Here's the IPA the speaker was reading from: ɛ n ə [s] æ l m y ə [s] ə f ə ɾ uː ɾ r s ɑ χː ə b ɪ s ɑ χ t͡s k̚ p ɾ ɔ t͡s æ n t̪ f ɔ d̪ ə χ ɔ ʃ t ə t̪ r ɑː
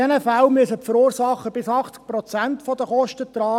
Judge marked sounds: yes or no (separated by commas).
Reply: no, yes